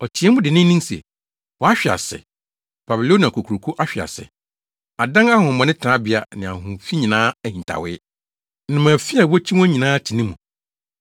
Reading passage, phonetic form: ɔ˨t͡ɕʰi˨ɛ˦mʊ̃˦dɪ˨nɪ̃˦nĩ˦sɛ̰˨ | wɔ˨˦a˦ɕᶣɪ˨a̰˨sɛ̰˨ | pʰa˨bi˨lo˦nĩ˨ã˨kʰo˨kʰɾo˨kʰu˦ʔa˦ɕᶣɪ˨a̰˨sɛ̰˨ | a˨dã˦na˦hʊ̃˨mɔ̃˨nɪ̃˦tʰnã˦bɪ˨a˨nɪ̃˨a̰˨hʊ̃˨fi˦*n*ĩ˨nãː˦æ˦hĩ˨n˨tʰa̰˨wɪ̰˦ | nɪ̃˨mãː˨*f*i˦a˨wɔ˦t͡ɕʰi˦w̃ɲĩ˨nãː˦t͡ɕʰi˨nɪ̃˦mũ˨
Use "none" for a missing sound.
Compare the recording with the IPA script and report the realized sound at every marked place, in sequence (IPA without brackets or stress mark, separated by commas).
ɲ, f